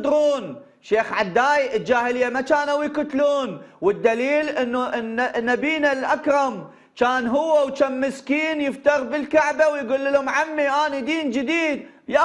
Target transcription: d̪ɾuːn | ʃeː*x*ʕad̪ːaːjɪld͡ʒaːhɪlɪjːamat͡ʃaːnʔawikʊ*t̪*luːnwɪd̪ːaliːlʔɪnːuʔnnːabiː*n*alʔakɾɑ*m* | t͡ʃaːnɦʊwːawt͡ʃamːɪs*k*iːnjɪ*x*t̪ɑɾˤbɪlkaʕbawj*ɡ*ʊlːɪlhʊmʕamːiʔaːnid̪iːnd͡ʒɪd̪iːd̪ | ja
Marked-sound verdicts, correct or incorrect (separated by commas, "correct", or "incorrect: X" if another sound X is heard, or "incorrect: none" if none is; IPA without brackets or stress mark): correct, correct, correct, correct, correct, incorrect: f, correct